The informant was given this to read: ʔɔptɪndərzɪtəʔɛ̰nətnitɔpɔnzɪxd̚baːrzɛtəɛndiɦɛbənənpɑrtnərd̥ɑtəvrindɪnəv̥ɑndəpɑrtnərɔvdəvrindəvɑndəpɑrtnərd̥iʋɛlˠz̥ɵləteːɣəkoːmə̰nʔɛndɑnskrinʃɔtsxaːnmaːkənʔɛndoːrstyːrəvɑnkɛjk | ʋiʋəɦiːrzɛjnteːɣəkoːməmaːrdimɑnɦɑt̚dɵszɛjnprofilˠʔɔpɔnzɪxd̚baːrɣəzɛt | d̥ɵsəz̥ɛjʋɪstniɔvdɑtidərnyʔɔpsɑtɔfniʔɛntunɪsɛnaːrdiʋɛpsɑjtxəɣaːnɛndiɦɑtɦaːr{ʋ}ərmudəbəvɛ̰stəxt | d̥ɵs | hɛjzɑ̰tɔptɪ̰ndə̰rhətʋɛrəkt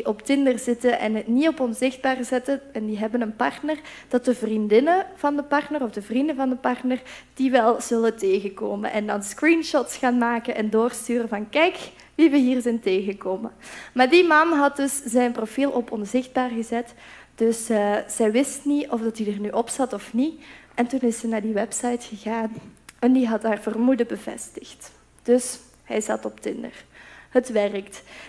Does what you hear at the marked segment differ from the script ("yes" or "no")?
yes